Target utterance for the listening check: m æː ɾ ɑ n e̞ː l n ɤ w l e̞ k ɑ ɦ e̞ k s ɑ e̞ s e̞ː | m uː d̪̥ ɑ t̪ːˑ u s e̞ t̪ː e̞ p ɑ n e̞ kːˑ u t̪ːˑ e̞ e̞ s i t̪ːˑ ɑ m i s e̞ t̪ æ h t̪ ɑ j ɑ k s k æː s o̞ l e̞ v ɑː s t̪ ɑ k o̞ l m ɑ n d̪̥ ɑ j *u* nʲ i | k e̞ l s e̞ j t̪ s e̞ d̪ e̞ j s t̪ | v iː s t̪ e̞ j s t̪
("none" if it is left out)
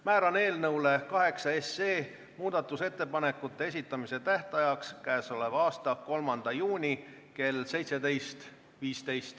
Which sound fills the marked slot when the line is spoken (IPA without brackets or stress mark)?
uː